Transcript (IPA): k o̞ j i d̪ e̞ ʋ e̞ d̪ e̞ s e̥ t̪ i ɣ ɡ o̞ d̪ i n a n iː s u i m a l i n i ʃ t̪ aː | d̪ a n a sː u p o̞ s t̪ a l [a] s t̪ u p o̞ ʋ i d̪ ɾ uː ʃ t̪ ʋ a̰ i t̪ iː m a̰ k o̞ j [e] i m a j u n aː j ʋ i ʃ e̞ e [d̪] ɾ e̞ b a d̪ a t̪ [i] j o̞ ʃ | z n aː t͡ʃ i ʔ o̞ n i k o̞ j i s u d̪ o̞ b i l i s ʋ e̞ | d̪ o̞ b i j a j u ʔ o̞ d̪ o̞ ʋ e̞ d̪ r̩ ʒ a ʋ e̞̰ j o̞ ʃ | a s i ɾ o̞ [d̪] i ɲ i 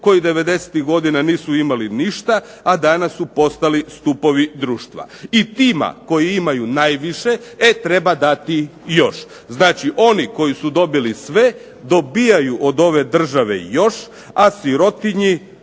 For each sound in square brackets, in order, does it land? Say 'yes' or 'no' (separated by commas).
no, no, no, yes, no